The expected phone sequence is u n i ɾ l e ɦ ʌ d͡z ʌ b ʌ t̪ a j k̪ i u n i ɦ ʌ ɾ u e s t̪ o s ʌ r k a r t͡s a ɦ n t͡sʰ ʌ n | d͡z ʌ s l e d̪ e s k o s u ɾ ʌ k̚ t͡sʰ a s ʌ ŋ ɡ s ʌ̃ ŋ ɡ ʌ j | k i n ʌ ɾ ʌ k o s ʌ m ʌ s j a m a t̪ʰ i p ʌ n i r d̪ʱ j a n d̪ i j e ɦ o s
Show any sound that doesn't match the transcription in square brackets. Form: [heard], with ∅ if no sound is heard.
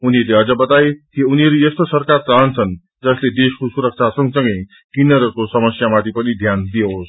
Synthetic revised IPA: u n i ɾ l e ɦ ʌ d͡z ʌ b ʌ t̪ a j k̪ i u n i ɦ ʌ ɾ u e s t̪ o s ʌ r k a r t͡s a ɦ n t͡sʰ ʌ n | d͡z ʌ s l e d̪ e s k o s u ɾ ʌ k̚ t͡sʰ a s ʌ ŋ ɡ s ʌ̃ ŋ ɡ ʌ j | k i n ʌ ɾ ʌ k o s ʌ m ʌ s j a m a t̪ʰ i p ʌ n i [∅] d̪ʱ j a n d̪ i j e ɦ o s